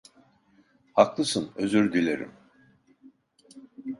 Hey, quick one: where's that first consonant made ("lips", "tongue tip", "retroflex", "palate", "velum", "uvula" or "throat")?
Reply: throat